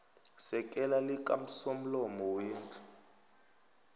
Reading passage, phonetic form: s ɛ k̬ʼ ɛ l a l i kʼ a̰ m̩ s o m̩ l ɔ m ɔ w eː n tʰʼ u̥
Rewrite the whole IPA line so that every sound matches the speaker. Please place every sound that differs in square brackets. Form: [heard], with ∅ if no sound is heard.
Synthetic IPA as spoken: s ɛ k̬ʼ ɛ l a l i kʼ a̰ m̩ s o m̩ l ɔ m ɔ w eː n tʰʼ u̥